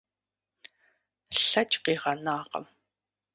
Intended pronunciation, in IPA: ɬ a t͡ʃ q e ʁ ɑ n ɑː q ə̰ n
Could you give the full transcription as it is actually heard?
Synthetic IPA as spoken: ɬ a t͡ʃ q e ʁ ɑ n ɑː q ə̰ m

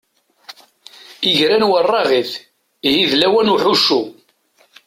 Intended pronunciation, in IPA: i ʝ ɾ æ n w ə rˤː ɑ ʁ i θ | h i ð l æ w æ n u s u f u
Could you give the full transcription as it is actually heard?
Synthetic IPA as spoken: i ʝ ɾ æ n w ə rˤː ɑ ʁ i θ | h i ð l æ w æ n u ħ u ʃ u

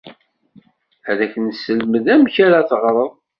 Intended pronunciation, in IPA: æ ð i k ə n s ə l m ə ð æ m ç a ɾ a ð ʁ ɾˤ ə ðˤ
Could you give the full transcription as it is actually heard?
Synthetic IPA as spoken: æ ð æ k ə n s ə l m ə ð æ m ç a ɾ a θ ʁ ɾˤ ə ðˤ

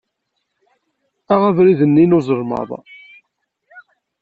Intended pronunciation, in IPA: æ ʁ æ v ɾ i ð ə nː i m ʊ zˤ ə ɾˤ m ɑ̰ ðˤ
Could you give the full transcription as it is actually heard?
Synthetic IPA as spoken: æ ʁ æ v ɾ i ð ə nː i n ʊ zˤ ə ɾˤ m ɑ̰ ðˤ

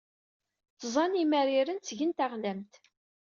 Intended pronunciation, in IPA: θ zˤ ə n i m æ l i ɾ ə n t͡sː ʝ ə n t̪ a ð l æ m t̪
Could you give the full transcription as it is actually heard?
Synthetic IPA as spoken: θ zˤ ɑ n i m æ ɾ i ɾ ə n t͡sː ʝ ə n t̪ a ʁ l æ m t̪

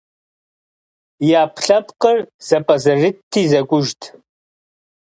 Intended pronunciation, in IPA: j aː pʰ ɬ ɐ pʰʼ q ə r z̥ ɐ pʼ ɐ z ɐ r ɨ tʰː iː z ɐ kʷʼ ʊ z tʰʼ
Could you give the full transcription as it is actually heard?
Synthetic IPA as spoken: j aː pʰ ɬ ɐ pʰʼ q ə r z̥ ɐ pʼ ɐ z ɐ r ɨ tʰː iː z ɐ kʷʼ ʊ ʒ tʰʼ

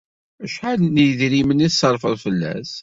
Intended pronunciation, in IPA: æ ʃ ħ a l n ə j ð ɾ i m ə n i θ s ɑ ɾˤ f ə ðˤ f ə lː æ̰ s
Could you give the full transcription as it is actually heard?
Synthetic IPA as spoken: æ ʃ ħ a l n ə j ð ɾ i m ə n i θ s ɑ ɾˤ f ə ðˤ f ə lː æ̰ s

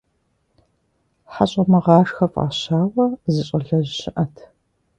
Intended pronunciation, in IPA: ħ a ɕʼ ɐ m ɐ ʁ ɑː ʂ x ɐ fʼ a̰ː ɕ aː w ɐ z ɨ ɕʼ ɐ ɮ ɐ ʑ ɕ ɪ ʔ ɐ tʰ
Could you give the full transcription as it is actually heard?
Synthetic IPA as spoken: ħ a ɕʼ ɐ m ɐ ʁ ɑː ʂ x ɐ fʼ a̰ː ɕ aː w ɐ z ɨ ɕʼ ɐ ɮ ɐ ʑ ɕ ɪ ʔ ɐ tʰ

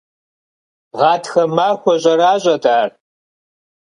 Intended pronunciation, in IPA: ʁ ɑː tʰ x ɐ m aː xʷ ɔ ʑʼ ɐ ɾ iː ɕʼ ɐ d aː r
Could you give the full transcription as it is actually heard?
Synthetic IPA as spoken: ʁ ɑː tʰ x ɐ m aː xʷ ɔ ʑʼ ɐ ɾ aː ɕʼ ɐ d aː r

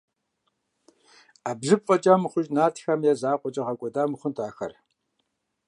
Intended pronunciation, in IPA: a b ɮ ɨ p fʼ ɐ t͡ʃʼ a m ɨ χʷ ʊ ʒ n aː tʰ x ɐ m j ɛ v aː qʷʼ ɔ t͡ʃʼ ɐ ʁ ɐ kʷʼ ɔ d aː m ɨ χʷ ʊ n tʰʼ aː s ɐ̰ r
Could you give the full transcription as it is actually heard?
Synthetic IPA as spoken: a b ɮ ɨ p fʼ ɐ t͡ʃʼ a m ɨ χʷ ʊ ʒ n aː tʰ x ɐ m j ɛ z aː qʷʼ ɔ t͡ʃʼ ɐ ʁ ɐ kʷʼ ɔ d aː m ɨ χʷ ʊ n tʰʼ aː x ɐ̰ r

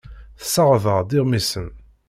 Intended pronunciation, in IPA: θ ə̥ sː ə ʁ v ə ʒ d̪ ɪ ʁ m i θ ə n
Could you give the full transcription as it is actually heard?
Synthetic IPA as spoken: θ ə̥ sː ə ʁ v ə ʁ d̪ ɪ ʁ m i s ə n

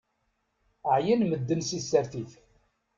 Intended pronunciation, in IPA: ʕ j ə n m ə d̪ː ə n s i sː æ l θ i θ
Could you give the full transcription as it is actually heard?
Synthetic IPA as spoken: ʕ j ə n m ə d̪ː ə n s i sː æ ɾ θ i θ

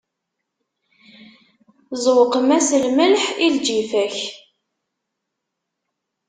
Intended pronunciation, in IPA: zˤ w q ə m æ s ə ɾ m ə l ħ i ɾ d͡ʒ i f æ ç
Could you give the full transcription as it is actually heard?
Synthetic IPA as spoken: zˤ w q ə m æ s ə l m ə l ħ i l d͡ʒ i f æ ç

